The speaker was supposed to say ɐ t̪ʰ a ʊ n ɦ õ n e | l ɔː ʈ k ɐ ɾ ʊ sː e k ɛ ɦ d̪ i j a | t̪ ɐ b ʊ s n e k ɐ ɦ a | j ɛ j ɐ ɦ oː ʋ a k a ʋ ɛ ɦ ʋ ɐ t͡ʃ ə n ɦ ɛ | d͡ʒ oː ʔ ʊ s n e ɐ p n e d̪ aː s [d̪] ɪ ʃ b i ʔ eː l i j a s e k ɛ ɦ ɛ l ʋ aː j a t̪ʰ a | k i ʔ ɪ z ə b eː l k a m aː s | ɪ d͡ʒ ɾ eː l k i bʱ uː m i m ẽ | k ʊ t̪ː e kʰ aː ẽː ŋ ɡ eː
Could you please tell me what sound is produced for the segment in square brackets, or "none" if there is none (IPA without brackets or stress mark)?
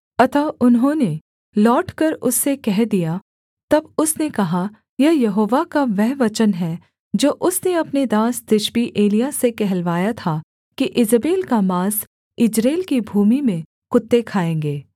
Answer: d̪